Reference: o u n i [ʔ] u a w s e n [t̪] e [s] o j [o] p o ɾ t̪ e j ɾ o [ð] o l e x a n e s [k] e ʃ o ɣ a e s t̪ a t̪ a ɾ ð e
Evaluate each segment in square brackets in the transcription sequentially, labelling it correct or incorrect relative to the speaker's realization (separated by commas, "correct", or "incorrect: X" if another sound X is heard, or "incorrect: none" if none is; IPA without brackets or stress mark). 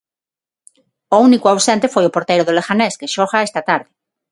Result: incorrect: k, correct, incorrect: f, correct, correct, correct